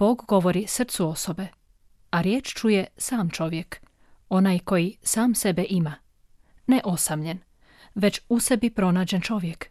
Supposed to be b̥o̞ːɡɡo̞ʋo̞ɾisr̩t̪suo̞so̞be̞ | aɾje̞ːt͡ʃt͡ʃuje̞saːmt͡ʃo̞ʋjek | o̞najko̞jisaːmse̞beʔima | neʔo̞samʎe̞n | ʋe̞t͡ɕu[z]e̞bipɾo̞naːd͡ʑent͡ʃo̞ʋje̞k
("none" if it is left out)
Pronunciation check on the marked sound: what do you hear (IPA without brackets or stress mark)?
s